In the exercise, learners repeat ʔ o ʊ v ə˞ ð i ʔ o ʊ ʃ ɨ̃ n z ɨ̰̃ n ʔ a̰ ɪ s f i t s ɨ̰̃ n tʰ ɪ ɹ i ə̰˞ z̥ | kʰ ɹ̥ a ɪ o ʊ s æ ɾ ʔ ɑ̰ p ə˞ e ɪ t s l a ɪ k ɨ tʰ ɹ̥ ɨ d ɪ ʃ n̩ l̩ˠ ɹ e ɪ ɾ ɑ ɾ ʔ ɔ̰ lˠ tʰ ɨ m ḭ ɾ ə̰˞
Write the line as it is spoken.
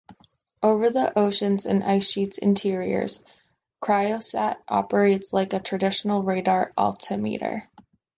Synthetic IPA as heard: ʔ o ʊ v ə˞ ð i ʔ o ʊ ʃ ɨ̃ n z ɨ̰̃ n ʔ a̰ ɪ s ʃ i t s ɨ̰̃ n tʰ ɪ ɹ i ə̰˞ z̥ | kʰ ɹ̥ a ɪ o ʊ s æ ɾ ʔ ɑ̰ p ə˞ e ɪ t s l a ɪ k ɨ tʰ ɹ̥ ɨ d ɪ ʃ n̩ l̩ˠ ɹ e ɪ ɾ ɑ ɹ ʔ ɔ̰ lˠ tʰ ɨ m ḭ ɾ ə̰˞